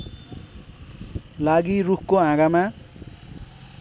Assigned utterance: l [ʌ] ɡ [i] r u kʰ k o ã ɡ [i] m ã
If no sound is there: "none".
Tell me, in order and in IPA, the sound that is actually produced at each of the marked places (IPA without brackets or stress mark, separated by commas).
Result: a, i, a